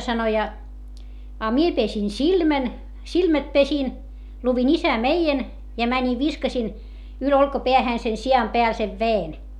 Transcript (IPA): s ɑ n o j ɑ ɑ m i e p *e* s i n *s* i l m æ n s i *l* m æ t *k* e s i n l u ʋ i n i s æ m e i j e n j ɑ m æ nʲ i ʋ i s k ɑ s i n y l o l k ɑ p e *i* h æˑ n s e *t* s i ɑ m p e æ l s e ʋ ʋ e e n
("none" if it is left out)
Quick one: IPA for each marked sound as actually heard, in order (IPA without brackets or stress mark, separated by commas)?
e, s, l, p, æ, none